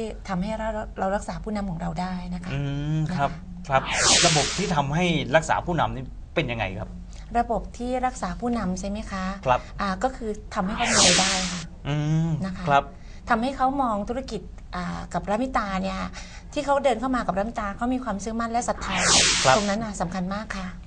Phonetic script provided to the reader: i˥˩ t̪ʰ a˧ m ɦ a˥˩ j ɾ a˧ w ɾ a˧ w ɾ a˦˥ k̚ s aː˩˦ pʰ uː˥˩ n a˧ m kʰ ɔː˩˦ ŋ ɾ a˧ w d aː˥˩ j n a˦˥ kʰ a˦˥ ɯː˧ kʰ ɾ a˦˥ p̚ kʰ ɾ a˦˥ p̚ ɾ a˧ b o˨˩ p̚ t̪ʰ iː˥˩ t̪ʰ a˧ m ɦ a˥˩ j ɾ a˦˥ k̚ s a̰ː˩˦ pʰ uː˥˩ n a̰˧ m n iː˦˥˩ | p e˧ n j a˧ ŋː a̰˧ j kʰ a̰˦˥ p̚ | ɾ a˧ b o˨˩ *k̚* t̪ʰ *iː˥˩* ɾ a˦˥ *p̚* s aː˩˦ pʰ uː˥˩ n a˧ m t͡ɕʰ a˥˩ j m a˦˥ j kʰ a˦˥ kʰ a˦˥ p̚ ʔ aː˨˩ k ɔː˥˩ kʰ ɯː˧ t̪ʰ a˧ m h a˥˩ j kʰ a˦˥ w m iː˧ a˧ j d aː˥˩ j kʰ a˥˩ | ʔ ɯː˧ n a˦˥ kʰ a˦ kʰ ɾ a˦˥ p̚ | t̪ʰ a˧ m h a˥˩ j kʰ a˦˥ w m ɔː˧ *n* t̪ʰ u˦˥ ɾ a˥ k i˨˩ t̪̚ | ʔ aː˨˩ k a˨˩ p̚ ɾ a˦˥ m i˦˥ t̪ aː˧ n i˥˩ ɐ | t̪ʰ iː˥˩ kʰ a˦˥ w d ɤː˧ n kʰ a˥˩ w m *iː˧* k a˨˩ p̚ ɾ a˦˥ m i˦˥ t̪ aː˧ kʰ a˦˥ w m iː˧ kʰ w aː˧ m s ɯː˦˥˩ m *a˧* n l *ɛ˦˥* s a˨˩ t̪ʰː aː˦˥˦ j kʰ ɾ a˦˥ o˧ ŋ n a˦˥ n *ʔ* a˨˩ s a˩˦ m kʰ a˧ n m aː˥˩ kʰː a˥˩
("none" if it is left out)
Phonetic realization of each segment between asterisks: p̚, iː˥˩, k̚, ŋ, aː˧, a˥˩, ɛ˦˥, ʔ

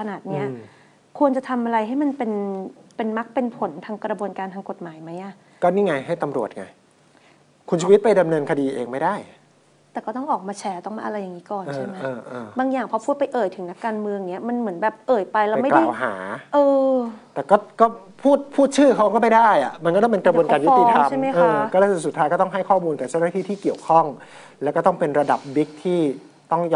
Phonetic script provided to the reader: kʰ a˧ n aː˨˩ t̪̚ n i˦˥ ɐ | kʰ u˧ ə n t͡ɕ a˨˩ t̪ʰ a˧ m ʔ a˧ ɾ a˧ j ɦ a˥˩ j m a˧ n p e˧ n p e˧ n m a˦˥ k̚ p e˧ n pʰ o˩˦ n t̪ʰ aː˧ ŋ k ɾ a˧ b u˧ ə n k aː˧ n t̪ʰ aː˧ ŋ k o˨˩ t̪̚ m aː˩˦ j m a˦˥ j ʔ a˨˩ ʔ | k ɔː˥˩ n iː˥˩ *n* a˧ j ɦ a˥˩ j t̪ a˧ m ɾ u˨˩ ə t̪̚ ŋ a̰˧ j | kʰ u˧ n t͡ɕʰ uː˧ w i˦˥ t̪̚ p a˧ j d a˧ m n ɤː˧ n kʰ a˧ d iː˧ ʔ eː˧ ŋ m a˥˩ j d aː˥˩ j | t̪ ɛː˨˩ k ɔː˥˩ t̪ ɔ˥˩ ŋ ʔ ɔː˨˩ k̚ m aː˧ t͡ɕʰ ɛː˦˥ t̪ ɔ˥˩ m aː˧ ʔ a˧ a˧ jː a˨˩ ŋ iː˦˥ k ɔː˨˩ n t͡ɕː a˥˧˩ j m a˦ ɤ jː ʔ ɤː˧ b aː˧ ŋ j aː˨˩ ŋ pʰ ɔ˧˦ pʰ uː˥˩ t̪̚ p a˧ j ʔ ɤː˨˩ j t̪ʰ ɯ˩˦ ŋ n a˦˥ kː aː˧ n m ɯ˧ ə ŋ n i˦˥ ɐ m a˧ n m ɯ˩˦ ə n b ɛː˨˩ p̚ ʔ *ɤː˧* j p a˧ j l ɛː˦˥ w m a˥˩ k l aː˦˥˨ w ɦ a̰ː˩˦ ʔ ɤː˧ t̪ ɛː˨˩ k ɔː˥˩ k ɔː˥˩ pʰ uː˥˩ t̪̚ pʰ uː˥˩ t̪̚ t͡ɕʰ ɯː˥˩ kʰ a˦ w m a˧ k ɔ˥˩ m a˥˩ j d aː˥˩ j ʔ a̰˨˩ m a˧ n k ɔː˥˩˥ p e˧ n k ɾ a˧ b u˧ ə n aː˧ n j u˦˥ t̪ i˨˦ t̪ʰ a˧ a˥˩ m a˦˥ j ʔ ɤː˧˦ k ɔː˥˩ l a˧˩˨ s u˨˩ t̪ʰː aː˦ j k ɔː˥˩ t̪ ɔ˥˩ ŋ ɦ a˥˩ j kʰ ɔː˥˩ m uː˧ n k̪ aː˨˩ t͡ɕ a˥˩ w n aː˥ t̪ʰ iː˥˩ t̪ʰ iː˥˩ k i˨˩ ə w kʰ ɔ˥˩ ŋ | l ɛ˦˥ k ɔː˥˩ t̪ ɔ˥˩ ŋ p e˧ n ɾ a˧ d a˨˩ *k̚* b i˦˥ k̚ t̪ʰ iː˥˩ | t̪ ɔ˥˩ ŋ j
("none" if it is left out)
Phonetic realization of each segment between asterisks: ŋ, ɤː˨˩, p̚

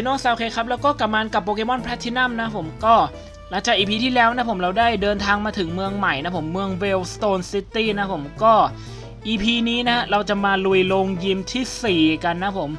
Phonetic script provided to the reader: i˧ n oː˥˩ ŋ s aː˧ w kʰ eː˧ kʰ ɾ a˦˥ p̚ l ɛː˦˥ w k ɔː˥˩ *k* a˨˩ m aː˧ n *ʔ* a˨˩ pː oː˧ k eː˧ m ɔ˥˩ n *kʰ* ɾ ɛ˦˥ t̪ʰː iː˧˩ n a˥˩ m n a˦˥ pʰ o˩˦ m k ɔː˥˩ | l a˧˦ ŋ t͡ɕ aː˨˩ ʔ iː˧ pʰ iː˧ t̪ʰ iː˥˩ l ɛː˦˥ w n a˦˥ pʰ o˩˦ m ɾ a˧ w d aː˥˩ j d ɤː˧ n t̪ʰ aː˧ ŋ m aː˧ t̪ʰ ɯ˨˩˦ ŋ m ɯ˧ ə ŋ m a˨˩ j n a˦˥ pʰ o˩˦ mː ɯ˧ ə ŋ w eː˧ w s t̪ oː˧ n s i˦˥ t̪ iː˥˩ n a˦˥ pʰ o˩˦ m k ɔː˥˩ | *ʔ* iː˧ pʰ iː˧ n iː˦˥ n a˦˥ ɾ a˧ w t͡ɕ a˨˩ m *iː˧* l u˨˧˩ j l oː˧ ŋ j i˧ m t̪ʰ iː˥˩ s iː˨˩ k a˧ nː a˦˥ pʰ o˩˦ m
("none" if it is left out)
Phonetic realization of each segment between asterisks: k, k, pʰ, ʔ, aː˧

